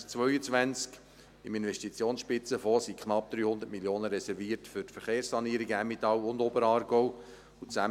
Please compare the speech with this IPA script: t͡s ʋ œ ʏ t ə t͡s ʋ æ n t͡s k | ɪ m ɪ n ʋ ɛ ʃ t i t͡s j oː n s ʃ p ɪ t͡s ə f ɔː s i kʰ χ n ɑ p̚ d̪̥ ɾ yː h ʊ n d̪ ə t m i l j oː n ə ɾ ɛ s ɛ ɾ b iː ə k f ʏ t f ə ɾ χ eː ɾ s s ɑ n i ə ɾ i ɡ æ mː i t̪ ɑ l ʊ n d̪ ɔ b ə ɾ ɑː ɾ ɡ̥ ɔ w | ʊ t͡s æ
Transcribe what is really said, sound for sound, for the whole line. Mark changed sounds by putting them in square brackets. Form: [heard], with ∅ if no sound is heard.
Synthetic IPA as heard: t͡s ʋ œ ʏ [∅] ə t͡s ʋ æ n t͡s k | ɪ m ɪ n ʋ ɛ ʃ t i t͡s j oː n s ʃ p ɪ t͡s ə f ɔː s i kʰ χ n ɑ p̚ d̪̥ ɾ yː h ʊ n d̪ ə t m i l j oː n ə ɾ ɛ s ɛ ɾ [v] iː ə [t] f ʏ t f ə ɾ χ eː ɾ s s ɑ n i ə ɾ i ɡ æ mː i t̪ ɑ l ʊ n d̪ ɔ b ə ɾ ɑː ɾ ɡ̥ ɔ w | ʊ t͡s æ